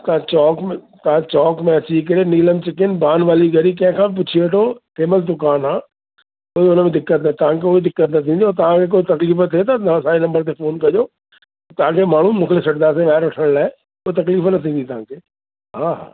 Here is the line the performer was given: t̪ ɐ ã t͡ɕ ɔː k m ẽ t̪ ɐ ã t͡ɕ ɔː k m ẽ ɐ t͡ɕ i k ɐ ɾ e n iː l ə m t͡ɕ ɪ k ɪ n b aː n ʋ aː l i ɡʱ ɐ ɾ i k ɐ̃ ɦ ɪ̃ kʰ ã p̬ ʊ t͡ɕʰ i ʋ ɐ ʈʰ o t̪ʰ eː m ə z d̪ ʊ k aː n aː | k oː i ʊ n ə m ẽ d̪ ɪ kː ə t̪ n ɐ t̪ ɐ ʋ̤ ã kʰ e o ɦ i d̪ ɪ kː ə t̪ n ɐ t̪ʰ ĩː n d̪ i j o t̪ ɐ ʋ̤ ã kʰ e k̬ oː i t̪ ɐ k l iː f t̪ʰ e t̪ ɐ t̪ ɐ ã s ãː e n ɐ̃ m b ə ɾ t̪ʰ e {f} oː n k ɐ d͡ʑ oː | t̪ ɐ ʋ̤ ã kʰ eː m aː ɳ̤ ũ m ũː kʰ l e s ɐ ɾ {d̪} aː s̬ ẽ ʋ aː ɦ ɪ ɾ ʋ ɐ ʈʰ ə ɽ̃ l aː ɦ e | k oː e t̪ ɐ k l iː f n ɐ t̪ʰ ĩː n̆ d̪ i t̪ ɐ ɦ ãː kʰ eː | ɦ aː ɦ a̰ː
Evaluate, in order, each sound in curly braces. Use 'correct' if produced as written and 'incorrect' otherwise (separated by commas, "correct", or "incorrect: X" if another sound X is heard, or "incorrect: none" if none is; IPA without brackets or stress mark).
correct, correct